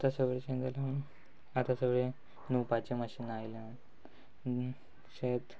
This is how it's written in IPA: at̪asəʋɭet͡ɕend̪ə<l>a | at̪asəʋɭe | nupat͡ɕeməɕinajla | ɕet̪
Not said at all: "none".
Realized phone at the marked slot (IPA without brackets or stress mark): l